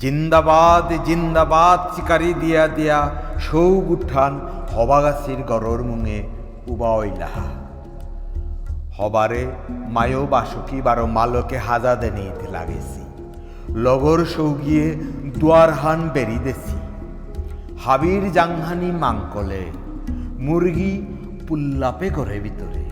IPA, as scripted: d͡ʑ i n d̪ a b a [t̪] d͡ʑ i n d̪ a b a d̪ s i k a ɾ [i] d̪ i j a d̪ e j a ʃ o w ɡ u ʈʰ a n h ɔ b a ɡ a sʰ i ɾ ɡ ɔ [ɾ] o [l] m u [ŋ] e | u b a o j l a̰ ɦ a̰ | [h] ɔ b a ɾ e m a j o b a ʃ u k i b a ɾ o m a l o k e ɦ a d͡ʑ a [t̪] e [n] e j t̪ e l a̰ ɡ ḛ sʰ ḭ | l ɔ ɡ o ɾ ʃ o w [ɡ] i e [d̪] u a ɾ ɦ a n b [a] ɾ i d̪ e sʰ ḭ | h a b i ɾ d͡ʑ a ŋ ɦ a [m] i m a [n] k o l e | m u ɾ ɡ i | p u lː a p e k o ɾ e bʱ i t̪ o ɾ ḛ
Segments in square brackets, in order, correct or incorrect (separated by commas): incorrect, correct, correct, incorrect, correct, correct, incorrect, correct, correct, correct, incorrect, incorrect, incorrect